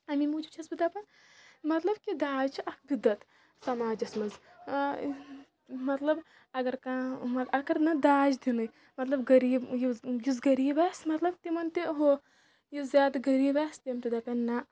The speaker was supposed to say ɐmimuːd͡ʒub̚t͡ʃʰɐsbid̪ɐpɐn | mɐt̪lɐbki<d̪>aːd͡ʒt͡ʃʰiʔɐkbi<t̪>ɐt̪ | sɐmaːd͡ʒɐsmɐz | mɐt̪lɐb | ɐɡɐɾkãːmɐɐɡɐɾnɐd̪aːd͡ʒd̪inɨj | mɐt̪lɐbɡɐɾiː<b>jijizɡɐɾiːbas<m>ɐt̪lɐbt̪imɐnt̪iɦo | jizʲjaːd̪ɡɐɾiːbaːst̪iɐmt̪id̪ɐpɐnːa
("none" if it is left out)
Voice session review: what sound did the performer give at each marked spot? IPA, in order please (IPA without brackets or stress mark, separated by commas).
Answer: d̪, d̪, b, m